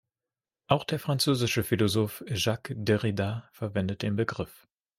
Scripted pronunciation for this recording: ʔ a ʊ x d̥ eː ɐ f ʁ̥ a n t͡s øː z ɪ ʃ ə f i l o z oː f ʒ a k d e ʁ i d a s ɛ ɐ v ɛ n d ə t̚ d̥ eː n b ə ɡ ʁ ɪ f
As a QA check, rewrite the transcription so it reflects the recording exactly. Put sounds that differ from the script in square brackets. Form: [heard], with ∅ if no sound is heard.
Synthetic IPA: ʔ a ʊ x d̥ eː ɐ f ʁ̥ a n t͡s øː z ɪ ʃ ə f i l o z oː f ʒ a k d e ʁ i d a [f] ɛ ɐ v ɛ n d ə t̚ d̥ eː n b ə ɡ ʁ ɪ f